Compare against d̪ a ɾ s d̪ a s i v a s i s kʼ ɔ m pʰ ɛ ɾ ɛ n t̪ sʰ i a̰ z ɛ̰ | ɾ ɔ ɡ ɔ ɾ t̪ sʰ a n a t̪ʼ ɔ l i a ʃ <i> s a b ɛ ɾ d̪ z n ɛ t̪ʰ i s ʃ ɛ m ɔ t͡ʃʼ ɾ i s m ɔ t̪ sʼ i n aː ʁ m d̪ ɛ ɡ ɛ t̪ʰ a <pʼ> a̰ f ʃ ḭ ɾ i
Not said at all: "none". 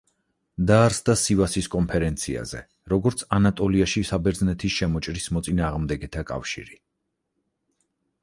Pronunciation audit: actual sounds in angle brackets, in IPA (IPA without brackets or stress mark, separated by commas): i, kʼ